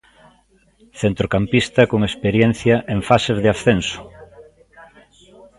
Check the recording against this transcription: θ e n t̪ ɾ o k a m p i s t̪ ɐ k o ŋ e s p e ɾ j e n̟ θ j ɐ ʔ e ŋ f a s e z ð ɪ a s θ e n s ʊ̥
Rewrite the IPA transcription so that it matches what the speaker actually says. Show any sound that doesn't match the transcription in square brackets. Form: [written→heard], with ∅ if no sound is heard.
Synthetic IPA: θ e n t̪ ɾ o k a m p i s t̪ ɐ k o ŋ e s p e ɾ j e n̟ θ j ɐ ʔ e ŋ f a s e z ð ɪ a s θ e n s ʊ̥

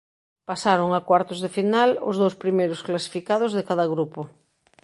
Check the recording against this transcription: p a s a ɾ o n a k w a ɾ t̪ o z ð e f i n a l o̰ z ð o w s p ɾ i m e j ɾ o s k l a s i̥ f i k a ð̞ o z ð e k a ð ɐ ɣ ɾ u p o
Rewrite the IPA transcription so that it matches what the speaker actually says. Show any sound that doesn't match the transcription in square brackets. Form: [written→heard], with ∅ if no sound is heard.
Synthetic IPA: p a s a ɾ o [n→ŋ] a k w a ɾ t̪ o z ð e f i n a l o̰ z ð o w s p ɾ i m e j ɾ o s k l a s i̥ f i k a ð̞ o z ð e k a ð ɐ ɣ ɾ u p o

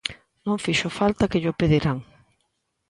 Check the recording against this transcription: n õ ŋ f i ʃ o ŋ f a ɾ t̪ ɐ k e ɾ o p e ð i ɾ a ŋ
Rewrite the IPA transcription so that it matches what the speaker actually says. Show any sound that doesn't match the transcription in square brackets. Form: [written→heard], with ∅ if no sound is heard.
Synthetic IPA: n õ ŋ f i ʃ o [ŋ→∅] f a [ɾ→l] t̪ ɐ k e [ɾ→ʎ] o p e ð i ɾ a ŋ

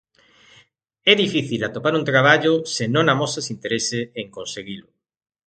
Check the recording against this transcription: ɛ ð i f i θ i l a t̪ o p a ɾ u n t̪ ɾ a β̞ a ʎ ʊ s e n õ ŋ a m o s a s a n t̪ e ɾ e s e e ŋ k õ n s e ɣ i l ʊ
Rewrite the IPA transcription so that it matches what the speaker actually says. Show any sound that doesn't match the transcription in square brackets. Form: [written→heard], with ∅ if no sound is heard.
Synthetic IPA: ɛ ð i f i θ i l a t̪ o p a ɾ u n t̪ ɾ a β̞ a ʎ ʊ s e n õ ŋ a m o s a s [a→i] n t̪ e ɾ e s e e ŋ k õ n s e ɣ i l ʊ

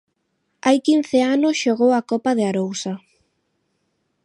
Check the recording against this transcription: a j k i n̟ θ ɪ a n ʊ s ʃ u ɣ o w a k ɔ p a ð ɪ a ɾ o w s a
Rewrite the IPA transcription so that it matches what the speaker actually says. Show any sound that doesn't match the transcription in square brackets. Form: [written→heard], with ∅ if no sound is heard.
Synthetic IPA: a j k i n̟ θ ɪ a n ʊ s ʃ [u→o] ɣ o w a k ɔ p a ð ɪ a ɾ o w s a

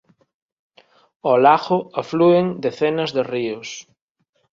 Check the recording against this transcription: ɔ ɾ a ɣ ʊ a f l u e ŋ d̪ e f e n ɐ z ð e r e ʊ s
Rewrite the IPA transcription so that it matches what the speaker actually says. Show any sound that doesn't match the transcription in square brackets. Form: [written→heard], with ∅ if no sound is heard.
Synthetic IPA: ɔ [ɾ→l] a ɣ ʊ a f l u e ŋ d̪ e [f→θ] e n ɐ z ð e r [e→i] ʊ s

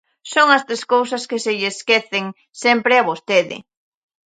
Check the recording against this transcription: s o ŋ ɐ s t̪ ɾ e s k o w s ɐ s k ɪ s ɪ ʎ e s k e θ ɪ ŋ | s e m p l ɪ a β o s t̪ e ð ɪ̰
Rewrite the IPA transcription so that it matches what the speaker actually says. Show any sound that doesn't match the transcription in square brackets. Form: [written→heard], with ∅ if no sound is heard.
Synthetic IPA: s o ŋ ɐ s t̪ ɾ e s k o w s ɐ s k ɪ s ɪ ʎ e s k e θ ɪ ŋ | s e m p [l→ɾ] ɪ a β o s t̪ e ð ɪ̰

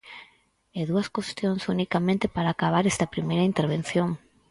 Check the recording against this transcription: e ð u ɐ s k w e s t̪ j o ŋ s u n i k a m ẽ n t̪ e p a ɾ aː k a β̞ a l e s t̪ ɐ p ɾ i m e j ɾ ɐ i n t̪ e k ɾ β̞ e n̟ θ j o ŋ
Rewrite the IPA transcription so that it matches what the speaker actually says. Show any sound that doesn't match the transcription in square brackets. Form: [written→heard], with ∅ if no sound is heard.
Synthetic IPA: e ð u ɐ s k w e s t̪ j o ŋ s u n i k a m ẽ n t̪ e p a ɾ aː k a β̞ a [l→ɾ] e s t̪ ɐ p ɾ i m e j ɾ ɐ i n t̪ e [k→∅] ɾ β̞ e n̟ θ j o ŋ

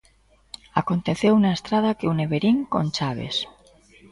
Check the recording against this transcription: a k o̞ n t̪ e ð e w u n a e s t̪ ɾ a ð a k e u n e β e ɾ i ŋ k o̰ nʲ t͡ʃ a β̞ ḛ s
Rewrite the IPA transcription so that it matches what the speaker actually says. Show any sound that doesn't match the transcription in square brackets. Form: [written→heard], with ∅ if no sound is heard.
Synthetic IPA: a k o̞ n t̪ e [ð→θ] e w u n a e s t̪ ɾ a ð a k e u n e β e ɾ i ŋ k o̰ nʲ t͡ʃ a β̞ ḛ s

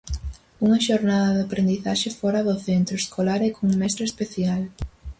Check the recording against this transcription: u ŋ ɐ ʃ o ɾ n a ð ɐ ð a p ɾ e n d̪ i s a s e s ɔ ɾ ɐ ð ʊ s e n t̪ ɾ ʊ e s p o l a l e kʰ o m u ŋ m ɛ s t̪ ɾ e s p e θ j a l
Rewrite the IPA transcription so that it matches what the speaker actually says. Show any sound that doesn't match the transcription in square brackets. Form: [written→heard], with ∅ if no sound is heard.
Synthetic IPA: u ŋ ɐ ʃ o ɾ n a ð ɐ ð a p ɾ e n d̪ i [s→θ] a [s→ʃ] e [s→f] ɔ ɾ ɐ ð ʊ [s→θ] e n t̪ ɾ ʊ e s [p→k] o l a [l→ɾ] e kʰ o [m→ŋ] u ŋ m ɛ s t̪ ɾ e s p e θ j a l

